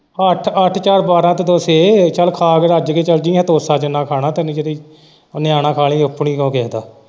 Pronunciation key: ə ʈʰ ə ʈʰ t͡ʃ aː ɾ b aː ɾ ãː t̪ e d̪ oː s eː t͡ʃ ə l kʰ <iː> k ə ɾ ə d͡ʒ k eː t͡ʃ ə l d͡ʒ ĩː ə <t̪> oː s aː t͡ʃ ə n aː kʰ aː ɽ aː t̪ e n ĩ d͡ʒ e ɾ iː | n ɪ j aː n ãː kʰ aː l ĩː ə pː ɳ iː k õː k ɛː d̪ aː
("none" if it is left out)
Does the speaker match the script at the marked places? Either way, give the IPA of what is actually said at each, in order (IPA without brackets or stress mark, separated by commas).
aː, t̪